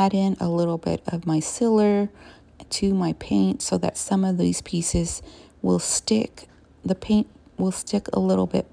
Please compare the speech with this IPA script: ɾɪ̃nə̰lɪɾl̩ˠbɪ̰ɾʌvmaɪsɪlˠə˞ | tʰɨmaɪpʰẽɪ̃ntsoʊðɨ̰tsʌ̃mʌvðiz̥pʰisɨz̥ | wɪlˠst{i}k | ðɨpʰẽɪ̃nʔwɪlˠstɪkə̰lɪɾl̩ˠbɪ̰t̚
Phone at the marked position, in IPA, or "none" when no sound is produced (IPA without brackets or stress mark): ɪ